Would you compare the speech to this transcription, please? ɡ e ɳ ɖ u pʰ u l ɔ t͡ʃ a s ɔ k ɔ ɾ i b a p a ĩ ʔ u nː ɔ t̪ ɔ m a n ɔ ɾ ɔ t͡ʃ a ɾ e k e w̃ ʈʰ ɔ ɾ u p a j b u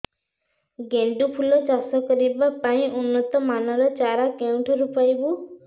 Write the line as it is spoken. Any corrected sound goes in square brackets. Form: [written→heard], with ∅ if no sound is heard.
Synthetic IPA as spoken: ɡ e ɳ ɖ u pʰ u l ɔ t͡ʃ a s ɔ k ɔ ɾ i b a p a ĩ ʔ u nː ɔ t̪ ɔ m a n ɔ ɾ ɔ t͡ʃ a ɾ [e→a] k e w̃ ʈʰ ɔ ɾ u p a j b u